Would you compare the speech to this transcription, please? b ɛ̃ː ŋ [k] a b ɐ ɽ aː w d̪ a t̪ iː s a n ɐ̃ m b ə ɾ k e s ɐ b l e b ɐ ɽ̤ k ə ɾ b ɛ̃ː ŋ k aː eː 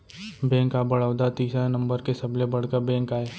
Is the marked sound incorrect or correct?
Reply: correct